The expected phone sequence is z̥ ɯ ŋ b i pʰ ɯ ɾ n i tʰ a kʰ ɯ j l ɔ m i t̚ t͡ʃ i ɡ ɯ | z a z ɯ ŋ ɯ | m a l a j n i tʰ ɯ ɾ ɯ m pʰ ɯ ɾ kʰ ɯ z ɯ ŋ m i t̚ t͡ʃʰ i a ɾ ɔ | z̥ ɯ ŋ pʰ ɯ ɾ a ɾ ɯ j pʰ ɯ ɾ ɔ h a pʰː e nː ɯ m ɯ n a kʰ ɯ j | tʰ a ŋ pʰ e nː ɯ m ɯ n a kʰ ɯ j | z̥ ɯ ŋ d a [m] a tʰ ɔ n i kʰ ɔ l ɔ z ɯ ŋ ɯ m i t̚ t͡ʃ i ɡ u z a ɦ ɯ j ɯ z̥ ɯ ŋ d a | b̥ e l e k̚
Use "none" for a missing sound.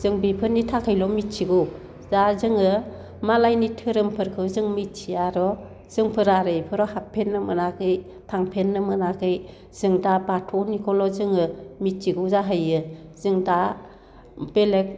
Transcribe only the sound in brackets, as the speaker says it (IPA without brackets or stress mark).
b